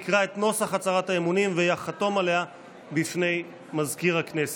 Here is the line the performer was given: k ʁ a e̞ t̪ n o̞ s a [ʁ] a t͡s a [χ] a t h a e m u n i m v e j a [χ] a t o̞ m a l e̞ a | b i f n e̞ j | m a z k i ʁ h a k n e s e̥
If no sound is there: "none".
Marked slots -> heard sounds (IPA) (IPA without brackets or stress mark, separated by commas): χ, ʁ, χ